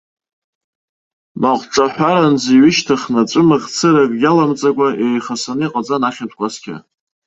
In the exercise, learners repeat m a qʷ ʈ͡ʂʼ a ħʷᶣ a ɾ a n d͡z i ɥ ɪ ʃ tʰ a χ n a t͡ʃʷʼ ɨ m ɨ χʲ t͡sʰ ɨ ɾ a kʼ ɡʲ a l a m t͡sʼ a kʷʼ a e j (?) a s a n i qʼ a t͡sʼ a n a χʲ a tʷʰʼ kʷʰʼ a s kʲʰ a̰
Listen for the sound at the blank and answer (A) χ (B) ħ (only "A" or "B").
A